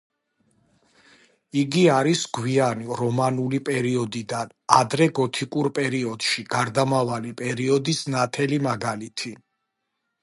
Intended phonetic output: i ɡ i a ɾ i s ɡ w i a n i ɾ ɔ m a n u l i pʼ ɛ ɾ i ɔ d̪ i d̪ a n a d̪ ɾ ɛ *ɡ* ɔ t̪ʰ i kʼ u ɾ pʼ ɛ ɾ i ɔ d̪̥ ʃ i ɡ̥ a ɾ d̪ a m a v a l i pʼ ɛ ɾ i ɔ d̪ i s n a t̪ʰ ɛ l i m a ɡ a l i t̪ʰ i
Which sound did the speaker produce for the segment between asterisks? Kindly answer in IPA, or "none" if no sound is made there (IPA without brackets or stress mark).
ɡ